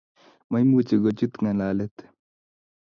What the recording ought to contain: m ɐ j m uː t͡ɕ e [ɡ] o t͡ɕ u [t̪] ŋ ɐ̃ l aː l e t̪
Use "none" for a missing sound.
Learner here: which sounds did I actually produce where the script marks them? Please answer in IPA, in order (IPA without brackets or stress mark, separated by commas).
ɡ, t̪